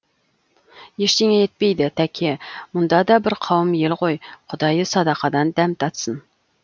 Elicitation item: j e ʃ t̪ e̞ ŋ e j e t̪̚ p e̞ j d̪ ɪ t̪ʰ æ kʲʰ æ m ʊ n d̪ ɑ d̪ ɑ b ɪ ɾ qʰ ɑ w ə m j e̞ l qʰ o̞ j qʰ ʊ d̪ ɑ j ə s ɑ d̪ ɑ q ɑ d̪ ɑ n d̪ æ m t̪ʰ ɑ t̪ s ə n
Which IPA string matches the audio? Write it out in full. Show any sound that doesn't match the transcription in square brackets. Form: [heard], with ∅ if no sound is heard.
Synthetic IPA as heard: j e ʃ t̪ e̞ ŋ e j e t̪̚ p e̞ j d̪ ɪ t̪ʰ æ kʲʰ [e] m ʊ n d̪ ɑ d̪ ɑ b ɪ ɾ qʰ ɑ w ə m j e̞ l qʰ o̞ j qʰ ʊ d̪ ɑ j ə s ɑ d̪ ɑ q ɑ d̪ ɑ n d̪ æ m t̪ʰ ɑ t̪ s ə n